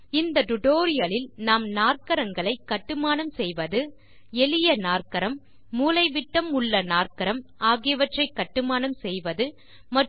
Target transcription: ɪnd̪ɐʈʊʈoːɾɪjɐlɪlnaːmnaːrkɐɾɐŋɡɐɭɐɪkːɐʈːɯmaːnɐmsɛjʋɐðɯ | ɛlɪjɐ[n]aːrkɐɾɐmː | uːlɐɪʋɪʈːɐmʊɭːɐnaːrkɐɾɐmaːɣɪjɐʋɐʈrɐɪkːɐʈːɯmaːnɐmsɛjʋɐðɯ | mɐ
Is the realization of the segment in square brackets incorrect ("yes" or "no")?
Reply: no